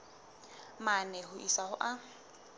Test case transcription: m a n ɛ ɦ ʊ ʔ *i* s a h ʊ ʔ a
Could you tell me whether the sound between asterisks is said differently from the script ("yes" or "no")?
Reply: no